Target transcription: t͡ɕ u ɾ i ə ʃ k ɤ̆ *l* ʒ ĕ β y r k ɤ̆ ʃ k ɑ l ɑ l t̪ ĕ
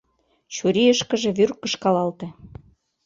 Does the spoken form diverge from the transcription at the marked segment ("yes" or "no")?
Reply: yes